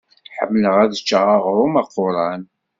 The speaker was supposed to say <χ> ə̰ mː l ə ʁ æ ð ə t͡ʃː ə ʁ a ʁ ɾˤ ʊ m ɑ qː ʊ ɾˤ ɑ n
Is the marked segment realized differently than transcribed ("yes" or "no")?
yes